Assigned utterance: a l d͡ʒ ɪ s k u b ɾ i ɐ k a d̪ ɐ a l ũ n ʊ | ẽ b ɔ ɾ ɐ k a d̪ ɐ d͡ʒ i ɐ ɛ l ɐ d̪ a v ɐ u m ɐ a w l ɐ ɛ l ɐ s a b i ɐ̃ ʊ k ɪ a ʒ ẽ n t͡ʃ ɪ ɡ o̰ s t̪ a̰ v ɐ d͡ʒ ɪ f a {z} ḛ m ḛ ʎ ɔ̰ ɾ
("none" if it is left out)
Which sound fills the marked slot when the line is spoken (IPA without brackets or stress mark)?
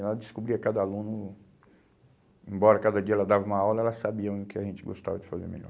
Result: z